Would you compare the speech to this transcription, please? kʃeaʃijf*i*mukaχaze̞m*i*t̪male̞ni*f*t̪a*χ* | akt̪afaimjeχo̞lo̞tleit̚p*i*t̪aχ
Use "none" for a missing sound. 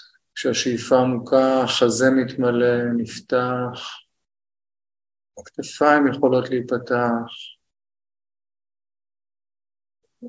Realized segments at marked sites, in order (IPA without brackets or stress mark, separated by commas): a, i, f, χ, a